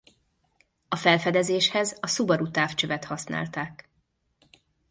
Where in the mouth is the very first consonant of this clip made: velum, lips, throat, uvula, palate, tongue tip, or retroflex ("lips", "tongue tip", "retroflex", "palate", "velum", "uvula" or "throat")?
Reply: lips